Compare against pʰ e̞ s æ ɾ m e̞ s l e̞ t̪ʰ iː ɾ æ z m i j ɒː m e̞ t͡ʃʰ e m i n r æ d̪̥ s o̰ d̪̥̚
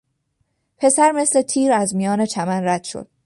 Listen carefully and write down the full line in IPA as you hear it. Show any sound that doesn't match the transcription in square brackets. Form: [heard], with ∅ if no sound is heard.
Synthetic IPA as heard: pʰ e̞ s æ ɾ m e̞ s l e̞ t̪ʰ iː ɾ æ z m i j ɒː [n] e̞ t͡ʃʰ [æ] m [æ] n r æ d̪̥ [ʃ] o̰ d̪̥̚